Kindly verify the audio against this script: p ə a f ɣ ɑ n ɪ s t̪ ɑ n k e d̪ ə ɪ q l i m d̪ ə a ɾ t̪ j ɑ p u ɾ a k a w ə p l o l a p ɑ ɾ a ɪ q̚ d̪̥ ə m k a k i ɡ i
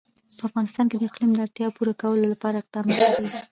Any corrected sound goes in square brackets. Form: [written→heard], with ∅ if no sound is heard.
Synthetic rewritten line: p ə a f ɣ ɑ n ɪ s t̪ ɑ n k e d̪ ə ɪ q l i m d̪ ə a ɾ t̪ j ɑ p u ɾ a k a w ə [p→∅] l o l a p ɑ ɾ a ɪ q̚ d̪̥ [ə→ɑ] m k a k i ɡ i